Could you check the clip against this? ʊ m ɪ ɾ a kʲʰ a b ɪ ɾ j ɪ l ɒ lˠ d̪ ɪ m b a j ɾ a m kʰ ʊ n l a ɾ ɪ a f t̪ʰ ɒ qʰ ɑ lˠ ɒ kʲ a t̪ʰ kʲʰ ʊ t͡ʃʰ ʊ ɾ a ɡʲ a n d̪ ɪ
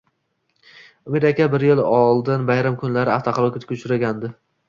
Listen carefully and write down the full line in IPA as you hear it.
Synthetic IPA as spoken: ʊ m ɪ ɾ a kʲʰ a b ɪ ɾ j ɪ l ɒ lˠ d̪ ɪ n b a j ɾ a m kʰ ʊ n l a ɾ ɪ a f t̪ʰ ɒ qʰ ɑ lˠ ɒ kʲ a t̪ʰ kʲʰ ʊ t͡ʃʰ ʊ ɾ a ɡʲ a n d̪ ɪ